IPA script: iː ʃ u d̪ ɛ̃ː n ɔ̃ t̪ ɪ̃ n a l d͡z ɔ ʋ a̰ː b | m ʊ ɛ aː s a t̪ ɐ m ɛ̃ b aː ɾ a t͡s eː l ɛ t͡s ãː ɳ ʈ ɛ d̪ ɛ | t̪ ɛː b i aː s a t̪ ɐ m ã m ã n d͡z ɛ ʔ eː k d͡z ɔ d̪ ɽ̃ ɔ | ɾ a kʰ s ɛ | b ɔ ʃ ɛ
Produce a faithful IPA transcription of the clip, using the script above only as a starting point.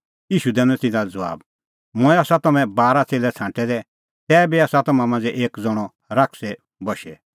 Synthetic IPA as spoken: iː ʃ u d̪ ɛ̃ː n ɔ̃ t̪ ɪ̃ n a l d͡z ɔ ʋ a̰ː b | m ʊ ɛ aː s a t̪ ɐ m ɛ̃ b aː ɾ a t͡s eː l ɛ t͡sʰ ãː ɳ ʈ ɛ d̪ ɛ | t̪ ɛː b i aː s a t̪ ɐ m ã m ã n d͡z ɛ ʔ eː k d͡z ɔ ɽ̃ ɔ | ɾ a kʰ s ɛ | b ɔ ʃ ɛ